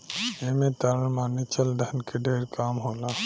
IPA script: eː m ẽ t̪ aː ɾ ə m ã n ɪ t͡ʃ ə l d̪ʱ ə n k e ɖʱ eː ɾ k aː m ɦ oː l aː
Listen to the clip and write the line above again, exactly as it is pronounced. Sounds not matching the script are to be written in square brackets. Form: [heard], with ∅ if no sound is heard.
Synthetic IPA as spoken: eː m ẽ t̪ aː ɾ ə m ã n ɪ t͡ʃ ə l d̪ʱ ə n k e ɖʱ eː ɾ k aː m ɦ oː l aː

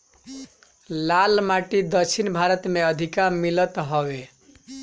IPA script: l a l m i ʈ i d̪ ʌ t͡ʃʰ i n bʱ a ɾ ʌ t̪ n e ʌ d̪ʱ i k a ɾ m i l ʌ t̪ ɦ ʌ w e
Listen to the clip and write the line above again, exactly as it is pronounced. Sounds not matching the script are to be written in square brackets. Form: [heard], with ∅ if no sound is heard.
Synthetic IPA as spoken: l a l m [a] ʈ i d̪ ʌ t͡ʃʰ i n bʱ a ɾ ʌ t̪ [m] e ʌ d̪ʱ i k a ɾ m i l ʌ t̪ ɦ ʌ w e

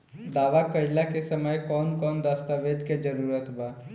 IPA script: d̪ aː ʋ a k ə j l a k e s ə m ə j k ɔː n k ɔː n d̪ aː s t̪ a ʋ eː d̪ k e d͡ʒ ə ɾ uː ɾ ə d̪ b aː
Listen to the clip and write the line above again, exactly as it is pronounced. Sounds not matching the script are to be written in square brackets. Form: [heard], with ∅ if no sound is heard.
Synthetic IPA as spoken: d̪ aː ʋ a k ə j l a k e s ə m ə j k ɔː n k ɔː n d̪ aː s t̪ a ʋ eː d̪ k e d͡ʒ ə ɾ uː ɾ ə [t̪] b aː

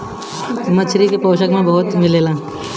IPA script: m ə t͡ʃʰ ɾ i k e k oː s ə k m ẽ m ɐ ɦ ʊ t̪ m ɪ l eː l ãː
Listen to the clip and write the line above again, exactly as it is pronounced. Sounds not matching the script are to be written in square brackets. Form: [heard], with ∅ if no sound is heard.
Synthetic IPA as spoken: m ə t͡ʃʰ ɾ i k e [p] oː [ʃ] ə k m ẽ [b] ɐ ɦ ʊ t̪ m ɪ l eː l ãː

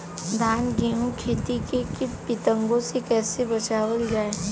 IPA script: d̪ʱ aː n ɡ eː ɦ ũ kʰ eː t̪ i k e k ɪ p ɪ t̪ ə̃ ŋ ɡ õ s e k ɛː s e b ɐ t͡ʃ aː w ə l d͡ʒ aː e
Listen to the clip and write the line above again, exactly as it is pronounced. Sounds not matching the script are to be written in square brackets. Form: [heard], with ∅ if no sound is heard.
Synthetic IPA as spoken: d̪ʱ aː n ɡ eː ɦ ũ kʰ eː t̪ i k e k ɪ p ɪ t̪ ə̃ ŋ ɡ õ s e k ɛː s e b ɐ t͡ʃ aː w ə l d͡ʒ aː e

